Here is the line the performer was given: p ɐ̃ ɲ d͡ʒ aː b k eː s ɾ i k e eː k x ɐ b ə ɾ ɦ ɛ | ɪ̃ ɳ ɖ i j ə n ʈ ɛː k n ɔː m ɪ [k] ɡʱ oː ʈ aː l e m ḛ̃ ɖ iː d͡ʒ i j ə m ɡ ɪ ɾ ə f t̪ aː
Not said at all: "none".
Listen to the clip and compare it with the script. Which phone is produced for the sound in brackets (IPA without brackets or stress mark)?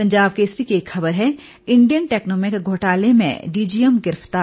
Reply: k